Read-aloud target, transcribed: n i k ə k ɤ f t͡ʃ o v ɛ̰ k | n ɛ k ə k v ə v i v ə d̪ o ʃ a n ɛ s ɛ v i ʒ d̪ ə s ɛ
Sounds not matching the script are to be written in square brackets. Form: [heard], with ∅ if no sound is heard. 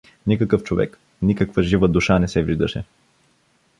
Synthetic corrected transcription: n i k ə k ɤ f t͡ʃ o v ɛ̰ k | n [i] k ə k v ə [ʒ] i v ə d̪ [u] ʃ a n ɛ s ɛ v i ʒ d̪ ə [ʃ] ɛ